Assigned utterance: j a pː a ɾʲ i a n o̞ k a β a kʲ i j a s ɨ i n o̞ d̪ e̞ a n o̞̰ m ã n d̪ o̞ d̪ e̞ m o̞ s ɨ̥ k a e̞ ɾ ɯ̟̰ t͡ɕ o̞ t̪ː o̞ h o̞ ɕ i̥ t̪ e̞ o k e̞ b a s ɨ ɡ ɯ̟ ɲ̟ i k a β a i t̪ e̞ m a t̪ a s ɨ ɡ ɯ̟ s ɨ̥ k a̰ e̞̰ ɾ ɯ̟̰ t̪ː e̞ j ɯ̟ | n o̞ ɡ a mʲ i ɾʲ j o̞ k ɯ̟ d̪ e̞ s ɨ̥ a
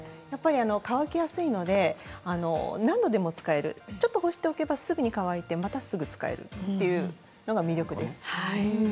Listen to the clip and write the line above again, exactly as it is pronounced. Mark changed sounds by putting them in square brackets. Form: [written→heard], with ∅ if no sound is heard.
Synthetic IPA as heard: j a pː a ɾʲ i a n o̞ k a β a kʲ i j a s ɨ i n o̞ d̪ e̞ a n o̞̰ [m→n] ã n d̪ o̞ d̪ e̞ m o̞ [s→t͡s] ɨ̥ k a e̞ ɾ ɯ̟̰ t͡ɕ o̞ t̪ː o̞ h o̞ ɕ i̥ t̪ e̞ o k e̞ b a s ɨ ɡ ɯ̟ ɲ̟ i k a β a i t̪ e̞ m a t̪ a s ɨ ɡ ɯ̟ [s→t͡s] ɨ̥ k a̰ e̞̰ ɾ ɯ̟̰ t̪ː e̞ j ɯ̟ | n o̞ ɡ a mʲ i ɾʲ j o̞ k ɯ̟ d̪ e̞ s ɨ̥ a

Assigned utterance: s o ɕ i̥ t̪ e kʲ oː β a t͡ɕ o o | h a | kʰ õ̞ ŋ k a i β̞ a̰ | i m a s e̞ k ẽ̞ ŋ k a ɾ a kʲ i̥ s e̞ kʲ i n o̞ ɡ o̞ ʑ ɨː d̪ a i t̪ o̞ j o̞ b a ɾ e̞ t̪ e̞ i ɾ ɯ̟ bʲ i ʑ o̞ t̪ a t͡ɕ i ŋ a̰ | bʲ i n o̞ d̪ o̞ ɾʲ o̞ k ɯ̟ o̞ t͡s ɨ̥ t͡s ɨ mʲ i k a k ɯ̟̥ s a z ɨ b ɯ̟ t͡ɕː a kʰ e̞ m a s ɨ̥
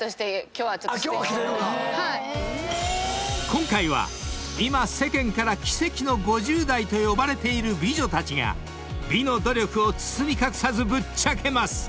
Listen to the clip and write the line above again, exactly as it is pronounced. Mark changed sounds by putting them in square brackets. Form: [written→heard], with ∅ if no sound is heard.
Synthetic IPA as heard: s o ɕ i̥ t̪ e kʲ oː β a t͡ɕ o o | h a | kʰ õ̞ ŋ k a i β̞ a̰ | i m a s e̞ k ẽ̞ ŋ k a ɾ a kʲ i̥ s e̞ kʲ i n o̞ ɡ o̞ ʑ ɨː d̪ a i t̪ o̞ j o̞ b a ɾ e̞ t̪ e̞ i ɾ ɯ̟ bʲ i ʑ o̞ t̪ a t͡ɕ i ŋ a̰ | bʲ i n o̞ d̪ o̞ ɾʲ o̞ k ɯ̟ o̞ t͡s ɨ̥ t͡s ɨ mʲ i k a k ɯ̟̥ s a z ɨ b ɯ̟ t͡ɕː a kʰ e̞ m a s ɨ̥

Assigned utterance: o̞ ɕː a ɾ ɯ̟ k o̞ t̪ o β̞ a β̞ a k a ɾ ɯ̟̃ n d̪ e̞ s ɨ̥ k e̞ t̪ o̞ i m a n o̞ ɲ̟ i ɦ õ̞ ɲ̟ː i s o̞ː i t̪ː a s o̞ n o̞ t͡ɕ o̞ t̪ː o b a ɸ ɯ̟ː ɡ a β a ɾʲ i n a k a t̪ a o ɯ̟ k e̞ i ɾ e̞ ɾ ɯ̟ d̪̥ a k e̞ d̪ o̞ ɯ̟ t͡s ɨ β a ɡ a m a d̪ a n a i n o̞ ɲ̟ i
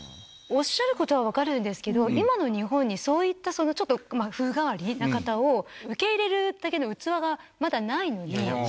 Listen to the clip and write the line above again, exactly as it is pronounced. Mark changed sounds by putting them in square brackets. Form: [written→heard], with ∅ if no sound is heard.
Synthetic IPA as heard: o̞ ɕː a ɾ ɯ̟ k o̞ t̪ o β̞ a β̞ a k a ɾ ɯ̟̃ n d̪ e̞ s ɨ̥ k e̞ [t̪→d̪] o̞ i m a n o̞ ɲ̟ i ɦ õ̞ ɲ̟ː i s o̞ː i t̪ː a s o̞ n o̞ t͡ɕ o̞ t̪ː o [b→m] a ɸ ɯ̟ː ɡ a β a ɾʲ i n a k a t̪ a o ɯ̟ k e̞ i ɾ e̞ ɾ ɯ̟ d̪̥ a k e̞ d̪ o̞ ɯ̟ t͡s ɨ β a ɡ a m a d̪ a n a i n o̞ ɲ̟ i

